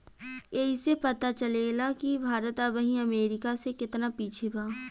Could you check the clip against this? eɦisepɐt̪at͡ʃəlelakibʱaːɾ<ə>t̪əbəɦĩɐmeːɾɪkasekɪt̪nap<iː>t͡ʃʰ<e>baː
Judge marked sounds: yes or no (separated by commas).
yes, yes, yes